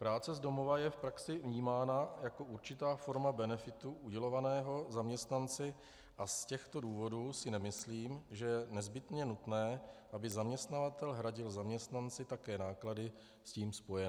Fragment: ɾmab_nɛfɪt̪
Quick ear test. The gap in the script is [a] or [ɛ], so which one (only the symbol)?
ɛ